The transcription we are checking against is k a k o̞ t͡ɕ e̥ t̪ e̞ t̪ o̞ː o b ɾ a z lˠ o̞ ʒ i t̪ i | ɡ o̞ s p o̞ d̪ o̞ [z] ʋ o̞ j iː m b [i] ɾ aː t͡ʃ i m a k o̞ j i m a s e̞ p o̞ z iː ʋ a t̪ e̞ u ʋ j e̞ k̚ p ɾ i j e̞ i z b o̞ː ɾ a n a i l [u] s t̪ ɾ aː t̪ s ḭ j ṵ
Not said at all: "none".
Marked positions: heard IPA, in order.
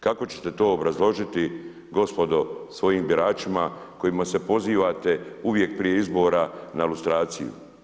s, i, u

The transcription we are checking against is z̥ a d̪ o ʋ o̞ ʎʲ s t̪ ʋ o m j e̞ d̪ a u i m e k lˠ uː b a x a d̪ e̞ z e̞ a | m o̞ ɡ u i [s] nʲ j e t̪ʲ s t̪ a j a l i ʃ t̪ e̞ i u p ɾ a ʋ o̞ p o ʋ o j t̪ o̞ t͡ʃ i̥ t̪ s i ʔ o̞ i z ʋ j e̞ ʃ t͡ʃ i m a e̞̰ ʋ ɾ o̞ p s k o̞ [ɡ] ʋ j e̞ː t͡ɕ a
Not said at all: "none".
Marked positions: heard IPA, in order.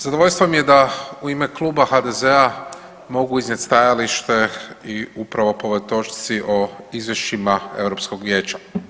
z, ɡ

